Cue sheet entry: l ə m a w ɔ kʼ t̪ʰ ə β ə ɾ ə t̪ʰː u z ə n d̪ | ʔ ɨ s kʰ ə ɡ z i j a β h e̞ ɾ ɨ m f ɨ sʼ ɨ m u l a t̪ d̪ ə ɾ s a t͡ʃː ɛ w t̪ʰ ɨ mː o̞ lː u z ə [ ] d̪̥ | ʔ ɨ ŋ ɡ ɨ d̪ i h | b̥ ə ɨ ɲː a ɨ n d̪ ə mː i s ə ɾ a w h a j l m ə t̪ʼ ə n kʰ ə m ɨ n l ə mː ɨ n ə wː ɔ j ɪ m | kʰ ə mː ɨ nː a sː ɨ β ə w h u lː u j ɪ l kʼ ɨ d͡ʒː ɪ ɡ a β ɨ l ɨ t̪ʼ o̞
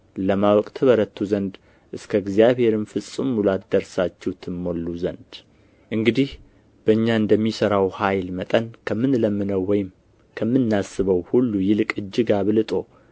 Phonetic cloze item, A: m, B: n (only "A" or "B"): B